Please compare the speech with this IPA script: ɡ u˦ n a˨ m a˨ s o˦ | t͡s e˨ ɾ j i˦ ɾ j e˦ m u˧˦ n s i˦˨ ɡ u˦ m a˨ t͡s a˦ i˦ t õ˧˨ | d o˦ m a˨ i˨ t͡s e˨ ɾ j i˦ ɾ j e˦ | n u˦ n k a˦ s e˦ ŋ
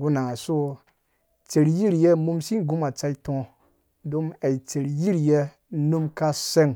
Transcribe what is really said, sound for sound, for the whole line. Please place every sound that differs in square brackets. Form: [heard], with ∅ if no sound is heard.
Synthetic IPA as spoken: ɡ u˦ n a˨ [ŋ] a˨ s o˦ | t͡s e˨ ɾ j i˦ ɾ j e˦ m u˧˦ [m] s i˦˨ ɡ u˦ m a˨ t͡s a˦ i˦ t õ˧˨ | d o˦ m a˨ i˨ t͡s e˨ ɾ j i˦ ɾ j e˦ | n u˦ [m] k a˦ s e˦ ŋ

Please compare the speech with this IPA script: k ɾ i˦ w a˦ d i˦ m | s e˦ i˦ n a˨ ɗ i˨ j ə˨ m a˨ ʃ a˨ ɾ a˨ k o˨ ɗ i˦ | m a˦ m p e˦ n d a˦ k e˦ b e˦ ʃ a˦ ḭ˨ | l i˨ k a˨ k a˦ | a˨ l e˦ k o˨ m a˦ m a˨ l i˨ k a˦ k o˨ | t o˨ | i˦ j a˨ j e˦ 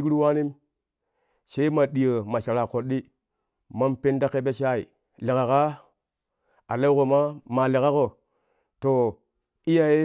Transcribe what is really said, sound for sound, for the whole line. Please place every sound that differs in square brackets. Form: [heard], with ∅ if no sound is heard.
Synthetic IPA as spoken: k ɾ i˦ w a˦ [n] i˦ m | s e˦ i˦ [m] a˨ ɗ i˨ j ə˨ m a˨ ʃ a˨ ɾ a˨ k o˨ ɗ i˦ | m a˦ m p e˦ n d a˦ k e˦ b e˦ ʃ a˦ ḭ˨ | l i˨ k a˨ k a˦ | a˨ l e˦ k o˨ m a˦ m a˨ l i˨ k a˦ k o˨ | t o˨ | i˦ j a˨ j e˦

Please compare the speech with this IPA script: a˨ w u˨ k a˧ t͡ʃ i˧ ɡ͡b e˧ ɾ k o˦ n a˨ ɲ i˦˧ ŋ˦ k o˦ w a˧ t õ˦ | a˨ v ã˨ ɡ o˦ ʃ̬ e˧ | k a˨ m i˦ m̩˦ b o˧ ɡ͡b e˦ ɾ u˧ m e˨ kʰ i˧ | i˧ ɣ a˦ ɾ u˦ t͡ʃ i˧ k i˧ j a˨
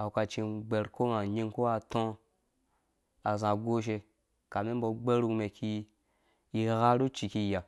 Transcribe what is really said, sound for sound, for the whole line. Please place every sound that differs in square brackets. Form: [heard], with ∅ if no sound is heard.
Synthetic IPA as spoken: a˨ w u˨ k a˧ t͡ʃ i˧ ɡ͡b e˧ ɾ k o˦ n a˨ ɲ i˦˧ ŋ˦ k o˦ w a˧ t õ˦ | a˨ [z] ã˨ ɡ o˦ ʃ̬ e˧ | k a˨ m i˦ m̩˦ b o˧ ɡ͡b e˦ ɾ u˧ m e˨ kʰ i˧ | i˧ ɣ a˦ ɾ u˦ t͡ʃ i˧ k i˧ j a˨

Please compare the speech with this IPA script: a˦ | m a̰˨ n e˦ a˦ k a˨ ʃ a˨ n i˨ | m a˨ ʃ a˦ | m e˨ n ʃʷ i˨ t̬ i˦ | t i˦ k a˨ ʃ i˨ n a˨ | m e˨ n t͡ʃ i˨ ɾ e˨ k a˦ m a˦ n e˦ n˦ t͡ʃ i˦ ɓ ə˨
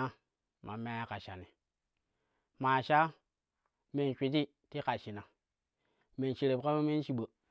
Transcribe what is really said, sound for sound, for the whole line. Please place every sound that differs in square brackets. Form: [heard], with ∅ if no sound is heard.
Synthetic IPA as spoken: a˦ | m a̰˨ [m] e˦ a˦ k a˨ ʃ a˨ n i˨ | m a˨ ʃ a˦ | m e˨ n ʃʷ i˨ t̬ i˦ | t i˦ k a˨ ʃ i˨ n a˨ | m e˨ n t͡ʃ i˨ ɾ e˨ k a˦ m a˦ [m] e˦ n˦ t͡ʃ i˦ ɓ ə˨

